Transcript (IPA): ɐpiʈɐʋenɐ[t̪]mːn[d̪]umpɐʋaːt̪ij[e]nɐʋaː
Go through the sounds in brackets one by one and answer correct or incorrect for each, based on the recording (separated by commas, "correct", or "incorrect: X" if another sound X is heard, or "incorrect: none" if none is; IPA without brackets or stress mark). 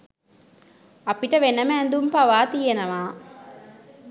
incorrect: none, correct, correct